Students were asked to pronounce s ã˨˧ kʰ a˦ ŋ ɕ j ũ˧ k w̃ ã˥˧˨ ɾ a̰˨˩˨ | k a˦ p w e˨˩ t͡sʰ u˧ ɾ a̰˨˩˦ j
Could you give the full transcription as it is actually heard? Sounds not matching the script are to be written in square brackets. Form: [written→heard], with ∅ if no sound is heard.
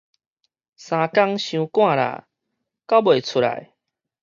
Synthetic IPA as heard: s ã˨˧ [kʰ→k] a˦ ŋ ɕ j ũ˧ k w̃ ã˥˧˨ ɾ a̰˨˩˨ | k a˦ [p→b] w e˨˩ t͡sʰ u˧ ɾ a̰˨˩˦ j